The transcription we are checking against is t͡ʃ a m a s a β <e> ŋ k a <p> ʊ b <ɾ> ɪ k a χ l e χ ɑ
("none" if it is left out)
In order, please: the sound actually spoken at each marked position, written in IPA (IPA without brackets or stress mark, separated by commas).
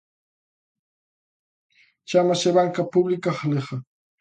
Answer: a, p, l